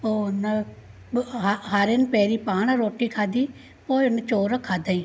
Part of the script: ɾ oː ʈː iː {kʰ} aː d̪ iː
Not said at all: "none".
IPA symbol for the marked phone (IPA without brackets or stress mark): kʰ